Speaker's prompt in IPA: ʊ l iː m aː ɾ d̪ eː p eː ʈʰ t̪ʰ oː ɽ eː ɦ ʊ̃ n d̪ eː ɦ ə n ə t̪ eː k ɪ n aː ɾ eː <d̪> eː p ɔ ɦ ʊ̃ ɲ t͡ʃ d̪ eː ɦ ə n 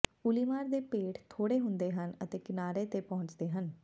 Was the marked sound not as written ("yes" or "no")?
yes